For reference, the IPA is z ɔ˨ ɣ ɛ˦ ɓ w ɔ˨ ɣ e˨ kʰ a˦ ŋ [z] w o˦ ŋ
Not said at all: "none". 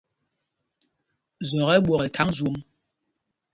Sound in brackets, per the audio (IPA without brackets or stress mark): z